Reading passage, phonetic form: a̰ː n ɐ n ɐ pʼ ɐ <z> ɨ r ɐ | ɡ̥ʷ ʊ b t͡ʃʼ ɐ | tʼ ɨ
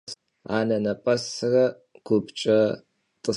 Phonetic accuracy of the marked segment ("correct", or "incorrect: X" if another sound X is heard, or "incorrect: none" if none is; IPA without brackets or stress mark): incorrect: s